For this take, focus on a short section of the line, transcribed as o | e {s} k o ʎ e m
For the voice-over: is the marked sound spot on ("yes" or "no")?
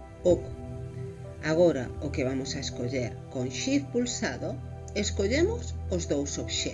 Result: yes